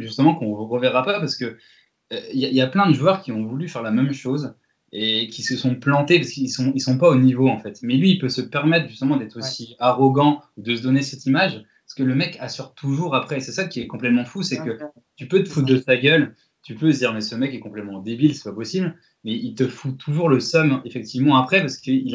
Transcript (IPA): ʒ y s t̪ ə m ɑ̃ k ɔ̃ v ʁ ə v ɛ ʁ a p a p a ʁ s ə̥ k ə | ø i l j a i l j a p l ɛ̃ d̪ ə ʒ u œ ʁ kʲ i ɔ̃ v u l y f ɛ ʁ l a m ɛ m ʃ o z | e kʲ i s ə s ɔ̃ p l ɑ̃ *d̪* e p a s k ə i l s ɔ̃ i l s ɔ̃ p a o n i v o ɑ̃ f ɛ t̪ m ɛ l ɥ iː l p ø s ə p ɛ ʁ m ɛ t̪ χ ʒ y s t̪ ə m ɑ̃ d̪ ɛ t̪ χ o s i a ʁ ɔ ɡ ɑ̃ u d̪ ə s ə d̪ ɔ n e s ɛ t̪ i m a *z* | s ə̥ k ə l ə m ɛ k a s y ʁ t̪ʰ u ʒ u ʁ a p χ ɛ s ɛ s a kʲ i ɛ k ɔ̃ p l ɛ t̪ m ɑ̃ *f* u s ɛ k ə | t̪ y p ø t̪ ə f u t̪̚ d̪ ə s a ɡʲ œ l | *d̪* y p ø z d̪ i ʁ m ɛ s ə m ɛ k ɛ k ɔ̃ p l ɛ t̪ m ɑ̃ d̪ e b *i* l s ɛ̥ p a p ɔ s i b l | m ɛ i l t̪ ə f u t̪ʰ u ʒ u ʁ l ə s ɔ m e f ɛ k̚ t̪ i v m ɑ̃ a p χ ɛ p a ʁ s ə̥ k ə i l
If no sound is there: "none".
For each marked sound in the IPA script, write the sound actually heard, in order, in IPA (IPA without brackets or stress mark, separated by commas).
t̪, ʒ, f, t̪, i